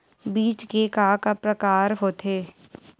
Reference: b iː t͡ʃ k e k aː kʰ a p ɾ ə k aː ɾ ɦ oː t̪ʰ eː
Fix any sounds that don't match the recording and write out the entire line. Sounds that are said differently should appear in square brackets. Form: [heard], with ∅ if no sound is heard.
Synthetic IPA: b iː t͡ʃ k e k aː [k] a p ɾ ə k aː ɾ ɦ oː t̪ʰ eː